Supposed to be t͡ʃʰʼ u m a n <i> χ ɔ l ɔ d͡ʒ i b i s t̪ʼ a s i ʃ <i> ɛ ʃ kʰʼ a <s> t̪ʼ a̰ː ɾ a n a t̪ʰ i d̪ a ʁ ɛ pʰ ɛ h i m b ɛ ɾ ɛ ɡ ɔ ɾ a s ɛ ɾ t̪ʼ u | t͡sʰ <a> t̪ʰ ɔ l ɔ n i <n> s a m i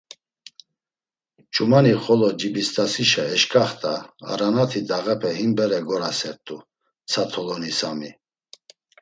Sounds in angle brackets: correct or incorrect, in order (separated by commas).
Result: correct, incorrect, incorrect, correct, incorrect